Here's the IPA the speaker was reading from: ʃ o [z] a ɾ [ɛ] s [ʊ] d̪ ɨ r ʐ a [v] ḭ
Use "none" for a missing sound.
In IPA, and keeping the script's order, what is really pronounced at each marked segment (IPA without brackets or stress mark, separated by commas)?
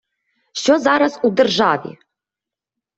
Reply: z, a, u, v